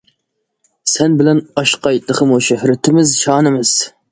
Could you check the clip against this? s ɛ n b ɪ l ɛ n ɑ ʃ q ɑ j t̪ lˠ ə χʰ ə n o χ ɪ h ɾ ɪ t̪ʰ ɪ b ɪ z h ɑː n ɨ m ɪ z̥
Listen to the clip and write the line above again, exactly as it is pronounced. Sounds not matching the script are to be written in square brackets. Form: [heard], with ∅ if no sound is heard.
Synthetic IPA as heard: s ɛ n b ɪ l ɛ n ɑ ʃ q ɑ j t̪ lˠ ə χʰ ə [m] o [ʃ] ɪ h ɾ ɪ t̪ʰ ɪ [m] ɪ z [ʃ] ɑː n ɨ m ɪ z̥

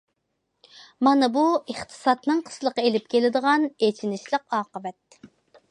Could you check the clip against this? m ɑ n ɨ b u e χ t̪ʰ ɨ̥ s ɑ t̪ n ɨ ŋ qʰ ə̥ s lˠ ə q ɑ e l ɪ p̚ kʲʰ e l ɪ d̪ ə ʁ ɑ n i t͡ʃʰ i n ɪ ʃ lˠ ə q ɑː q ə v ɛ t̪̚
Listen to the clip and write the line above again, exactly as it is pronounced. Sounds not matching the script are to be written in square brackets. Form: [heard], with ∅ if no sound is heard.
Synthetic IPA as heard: m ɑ n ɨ b u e χ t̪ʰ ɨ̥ s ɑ t̪ n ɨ ŋ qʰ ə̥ s lˠ ə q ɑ e l ɪ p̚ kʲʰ e l ɪ d̪ ə ʁ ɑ n [e] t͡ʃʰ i n ɪ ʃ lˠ ə q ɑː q ə v ɛ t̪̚

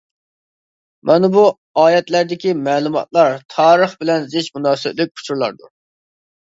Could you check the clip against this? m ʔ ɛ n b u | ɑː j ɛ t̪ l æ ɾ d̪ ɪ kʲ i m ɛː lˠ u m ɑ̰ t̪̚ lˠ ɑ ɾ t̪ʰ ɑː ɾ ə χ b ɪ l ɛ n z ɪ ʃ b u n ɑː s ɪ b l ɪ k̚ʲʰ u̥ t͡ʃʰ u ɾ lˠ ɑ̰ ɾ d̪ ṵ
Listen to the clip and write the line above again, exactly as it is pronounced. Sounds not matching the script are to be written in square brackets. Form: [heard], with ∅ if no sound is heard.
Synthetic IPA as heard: m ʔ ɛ n b u | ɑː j ɛ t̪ l æ ɾ d̪ ɪ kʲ i m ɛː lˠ u m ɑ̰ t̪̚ lˠ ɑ ɾ t̪ʰ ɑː ɾ ə χ b ɪ l ɛ n z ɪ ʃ [m] u n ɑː s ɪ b l ɪ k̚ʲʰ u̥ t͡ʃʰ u ɾ lˠ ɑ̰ ɾ d̪ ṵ

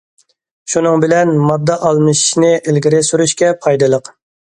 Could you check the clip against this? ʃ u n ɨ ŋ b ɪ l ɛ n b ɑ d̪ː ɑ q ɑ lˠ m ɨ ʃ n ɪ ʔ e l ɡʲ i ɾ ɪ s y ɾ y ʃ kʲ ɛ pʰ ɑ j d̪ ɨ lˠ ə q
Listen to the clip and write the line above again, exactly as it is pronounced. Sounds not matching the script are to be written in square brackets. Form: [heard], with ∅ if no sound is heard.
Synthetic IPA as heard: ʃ u n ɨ ŋ b ɪ l ɛ n [m] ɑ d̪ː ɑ [ʔ] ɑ lˠ m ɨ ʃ n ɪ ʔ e l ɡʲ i ɾ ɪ s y ɾ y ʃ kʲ ɛ pʰ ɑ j d̪ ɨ lˠ ə q

